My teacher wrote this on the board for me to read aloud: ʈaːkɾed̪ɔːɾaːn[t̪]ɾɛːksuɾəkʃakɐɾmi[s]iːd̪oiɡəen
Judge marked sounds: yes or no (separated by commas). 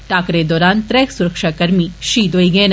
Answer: yes, no